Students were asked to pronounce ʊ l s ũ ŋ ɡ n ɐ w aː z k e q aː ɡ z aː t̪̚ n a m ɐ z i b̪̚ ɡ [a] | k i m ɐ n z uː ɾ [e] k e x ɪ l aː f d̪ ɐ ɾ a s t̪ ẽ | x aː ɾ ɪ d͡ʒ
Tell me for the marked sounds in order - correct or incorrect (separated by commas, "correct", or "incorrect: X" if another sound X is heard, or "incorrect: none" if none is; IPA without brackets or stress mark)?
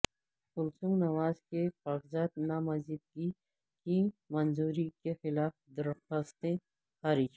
incorrect: i, incorrect: i